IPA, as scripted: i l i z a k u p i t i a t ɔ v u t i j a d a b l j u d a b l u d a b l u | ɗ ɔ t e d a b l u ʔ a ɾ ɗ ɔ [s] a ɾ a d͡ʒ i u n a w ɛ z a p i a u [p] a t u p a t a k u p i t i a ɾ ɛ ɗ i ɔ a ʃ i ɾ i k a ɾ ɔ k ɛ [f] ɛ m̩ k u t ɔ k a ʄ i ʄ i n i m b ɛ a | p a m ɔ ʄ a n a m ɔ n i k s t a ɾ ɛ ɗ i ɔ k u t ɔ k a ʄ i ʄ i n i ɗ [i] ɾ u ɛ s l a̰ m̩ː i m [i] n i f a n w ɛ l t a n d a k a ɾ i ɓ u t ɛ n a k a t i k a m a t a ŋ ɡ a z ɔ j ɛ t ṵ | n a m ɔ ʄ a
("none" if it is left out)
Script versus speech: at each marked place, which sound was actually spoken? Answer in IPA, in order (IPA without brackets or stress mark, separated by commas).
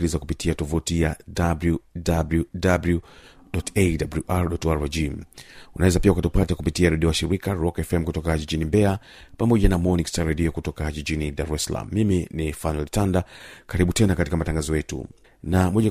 t, k, f, a, i